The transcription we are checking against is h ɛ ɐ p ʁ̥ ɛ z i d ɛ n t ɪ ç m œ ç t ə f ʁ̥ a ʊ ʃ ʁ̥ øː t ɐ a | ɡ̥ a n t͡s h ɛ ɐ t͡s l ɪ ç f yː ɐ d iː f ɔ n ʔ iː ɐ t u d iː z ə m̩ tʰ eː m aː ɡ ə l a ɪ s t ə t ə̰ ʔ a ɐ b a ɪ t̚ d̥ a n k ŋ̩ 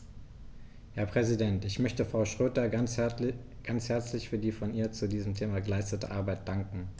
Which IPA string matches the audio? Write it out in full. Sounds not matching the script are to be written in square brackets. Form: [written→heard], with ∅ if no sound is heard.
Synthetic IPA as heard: h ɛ ɐ p ʁ̥ ɛ z i d ɛ n t ɪ ç m œ ç t ə f ʁ̥ a ʊ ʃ ʁ̥ øː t ɐ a | ɡ̥ a n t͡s h ɛ ɐ t͡s l ɪ ç f yː ɐ d iː f ɔ n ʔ iː ɐ [t→t͡s] u d iː z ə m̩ tʰ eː m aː ɡ ə l a ɪ s t ə t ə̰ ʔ a ɐ b a ɪ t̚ d̥ a [n→ŋ] k ŋ̩